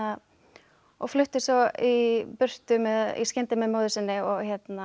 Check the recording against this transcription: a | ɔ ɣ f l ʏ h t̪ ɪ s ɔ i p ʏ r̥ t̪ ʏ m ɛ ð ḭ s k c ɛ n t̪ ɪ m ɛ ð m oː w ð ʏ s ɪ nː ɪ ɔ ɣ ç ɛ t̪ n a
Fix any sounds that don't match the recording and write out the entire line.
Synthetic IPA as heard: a | ɔ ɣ f l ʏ h t̪ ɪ s ɔ i p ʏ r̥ t̪ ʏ m ɛ ð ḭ s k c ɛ n t̪ ɪ m ɛ ð m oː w ð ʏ s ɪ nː ɪ ɔ ɣ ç ɛ t̪ n a